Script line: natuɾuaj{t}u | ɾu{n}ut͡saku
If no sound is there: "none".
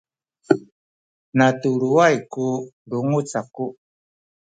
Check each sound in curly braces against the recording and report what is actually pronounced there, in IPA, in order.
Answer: k, ŋ

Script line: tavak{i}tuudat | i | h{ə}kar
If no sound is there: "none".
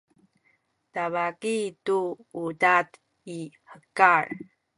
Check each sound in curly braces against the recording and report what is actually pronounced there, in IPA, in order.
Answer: i, ə

